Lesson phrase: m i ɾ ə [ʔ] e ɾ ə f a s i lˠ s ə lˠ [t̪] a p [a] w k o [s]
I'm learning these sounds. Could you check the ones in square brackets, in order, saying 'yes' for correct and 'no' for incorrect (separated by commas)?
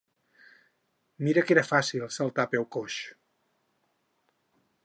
no, yes, no, no